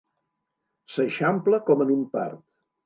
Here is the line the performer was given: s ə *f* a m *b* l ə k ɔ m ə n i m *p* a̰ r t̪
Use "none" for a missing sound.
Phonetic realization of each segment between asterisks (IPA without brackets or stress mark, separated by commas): ʃ, p, p